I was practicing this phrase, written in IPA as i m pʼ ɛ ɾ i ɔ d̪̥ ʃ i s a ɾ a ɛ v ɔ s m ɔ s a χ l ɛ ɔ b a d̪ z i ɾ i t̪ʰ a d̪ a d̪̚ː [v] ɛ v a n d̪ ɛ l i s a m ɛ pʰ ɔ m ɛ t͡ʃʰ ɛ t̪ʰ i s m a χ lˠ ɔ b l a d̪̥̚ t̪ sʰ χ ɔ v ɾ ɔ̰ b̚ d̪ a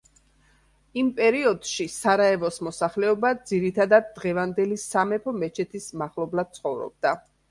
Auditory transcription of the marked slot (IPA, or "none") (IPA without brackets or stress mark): ʁ